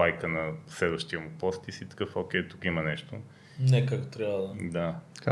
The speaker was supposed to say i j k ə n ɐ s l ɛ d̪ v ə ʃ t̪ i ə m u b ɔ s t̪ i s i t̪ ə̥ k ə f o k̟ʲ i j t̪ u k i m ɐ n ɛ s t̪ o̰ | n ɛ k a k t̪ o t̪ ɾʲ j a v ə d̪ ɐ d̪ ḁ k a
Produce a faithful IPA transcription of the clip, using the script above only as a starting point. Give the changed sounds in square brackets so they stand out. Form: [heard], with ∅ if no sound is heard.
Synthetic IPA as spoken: [a] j k ə n ɐ s l ɛ d̪ v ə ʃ t̪ i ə m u [p] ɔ s t̪ i s i t̪ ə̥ k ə f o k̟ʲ [ɛ] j t̪ u k i m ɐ n ɛ [ʃ] t̪ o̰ | n ɛ k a k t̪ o t̪ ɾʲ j a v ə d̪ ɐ d̪ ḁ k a